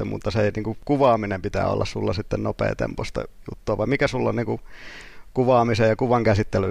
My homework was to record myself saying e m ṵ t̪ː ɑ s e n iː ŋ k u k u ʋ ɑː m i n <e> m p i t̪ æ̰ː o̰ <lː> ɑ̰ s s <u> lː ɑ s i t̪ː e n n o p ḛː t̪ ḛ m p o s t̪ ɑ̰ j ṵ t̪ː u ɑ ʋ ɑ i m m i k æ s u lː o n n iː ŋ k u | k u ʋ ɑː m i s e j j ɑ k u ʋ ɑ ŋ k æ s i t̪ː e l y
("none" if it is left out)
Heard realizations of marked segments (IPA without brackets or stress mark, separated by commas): e, lː, u